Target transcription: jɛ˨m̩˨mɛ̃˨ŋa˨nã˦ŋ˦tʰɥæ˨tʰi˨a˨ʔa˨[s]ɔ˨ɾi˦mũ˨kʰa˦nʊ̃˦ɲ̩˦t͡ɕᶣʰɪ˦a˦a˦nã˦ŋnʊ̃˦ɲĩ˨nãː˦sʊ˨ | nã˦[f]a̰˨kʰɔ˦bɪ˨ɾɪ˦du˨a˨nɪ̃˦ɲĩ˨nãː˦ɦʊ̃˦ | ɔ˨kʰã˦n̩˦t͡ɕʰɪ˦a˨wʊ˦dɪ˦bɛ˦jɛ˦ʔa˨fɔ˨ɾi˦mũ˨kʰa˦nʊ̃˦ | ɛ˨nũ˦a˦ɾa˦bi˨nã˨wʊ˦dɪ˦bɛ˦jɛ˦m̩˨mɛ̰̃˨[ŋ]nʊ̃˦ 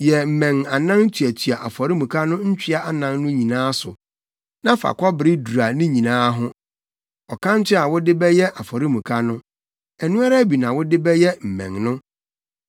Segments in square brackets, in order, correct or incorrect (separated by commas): incorrect, correct, correct